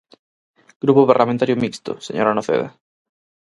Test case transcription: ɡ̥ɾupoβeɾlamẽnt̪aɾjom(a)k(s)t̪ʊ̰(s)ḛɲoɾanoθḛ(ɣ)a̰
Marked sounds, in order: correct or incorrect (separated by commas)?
incorrect, correct, correct, incorrect